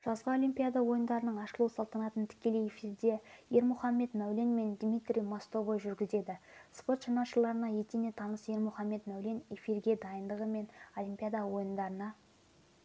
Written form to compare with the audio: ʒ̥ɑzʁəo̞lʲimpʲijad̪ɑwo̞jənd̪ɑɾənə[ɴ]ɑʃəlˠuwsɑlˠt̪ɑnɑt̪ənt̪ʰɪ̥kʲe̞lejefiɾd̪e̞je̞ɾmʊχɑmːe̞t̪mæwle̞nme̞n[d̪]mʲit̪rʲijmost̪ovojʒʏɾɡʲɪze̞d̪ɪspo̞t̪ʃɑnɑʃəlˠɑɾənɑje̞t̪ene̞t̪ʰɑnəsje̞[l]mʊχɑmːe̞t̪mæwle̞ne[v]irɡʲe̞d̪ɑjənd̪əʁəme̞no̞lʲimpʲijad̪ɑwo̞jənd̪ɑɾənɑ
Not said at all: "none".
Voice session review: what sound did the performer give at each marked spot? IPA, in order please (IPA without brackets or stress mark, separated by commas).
ɴ, d̪, ɾ, f